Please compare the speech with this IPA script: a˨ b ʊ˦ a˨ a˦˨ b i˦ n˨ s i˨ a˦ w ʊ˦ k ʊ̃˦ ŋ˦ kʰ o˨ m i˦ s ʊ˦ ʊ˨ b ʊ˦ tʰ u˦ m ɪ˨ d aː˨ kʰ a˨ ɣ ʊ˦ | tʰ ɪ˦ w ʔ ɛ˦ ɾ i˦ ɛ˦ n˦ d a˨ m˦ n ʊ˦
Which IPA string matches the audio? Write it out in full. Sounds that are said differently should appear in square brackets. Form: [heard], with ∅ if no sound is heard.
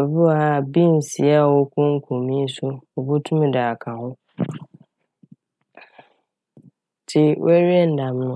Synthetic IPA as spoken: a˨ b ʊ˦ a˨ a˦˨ b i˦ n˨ s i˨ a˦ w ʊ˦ k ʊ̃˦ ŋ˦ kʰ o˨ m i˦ s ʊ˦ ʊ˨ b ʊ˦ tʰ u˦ m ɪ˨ d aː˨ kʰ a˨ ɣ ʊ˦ | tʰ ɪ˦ w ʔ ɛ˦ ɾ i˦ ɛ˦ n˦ d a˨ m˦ n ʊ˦